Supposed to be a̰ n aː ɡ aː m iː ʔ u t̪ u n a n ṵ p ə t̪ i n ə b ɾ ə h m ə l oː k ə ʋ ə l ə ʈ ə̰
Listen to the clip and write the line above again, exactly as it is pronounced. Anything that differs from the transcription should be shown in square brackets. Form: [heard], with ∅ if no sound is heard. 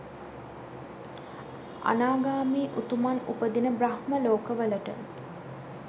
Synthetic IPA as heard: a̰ n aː ɡ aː m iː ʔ u t̪ u [m] a n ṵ p ə [d̪] i n ə b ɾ [a] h m ə l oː k ə ʋ ə l ə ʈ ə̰